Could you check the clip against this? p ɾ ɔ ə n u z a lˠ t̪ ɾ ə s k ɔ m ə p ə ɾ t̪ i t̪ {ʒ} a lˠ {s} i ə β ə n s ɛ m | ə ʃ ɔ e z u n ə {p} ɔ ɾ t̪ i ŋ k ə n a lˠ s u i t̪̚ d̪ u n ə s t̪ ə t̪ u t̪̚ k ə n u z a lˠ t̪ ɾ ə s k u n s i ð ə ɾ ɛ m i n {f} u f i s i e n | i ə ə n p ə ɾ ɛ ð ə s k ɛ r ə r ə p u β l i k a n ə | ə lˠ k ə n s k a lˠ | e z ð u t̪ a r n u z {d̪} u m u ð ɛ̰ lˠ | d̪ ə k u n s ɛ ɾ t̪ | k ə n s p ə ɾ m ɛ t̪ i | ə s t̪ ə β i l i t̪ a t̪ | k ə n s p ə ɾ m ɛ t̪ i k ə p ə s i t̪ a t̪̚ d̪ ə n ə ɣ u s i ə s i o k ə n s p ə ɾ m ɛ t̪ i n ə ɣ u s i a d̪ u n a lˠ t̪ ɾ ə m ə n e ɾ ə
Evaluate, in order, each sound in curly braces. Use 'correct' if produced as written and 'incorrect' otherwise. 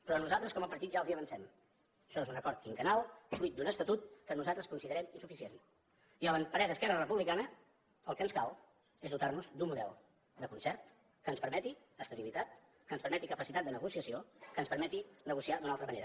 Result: correct, incorrect, incorrect, incorrect, correct

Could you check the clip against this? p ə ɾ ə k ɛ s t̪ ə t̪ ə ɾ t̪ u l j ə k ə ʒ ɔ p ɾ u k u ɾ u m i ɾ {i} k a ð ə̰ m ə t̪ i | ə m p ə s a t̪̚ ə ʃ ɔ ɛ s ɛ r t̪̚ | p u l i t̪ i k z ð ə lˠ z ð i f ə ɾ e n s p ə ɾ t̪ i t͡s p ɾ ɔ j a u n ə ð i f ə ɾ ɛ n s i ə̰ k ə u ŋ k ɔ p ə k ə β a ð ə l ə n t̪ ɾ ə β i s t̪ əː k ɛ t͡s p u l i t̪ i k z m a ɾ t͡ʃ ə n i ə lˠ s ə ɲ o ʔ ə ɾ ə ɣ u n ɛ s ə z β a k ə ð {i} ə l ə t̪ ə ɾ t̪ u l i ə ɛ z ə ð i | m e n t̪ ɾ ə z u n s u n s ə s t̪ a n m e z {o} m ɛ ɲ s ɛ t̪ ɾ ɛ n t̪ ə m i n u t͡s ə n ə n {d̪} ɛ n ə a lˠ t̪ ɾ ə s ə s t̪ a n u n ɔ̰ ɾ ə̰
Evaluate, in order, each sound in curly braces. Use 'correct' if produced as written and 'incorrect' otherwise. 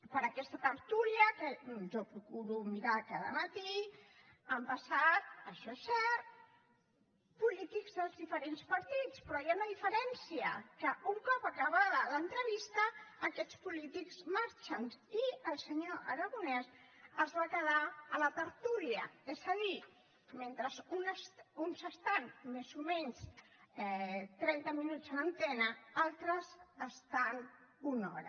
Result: incorrect, incorrect, incorrect, incorrect

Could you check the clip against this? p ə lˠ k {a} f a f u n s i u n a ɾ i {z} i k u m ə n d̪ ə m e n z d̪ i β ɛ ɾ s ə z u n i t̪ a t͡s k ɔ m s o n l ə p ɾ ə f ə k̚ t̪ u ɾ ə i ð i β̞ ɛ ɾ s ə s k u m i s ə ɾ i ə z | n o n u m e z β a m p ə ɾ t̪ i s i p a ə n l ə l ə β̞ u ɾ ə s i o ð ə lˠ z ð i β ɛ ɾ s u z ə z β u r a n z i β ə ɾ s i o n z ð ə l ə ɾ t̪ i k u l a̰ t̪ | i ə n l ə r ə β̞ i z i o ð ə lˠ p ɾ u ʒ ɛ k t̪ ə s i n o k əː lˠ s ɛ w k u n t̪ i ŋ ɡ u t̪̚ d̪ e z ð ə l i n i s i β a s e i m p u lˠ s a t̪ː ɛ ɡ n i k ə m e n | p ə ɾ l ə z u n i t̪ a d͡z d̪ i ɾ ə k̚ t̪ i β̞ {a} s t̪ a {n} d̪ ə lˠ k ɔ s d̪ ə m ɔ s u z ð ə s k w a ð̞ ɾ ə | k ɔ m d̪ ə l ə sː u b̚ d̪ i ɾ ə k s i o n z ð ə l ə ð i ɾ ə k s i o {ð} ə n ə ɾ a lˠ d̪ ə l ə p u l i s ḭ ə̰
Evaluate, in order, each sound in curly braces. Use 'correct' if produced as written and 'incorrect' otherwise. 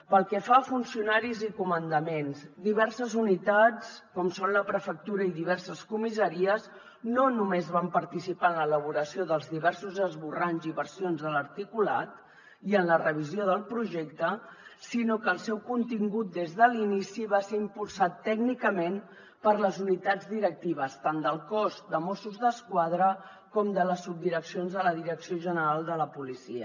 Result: incorrect, correct, incorrect, correct, incorrect

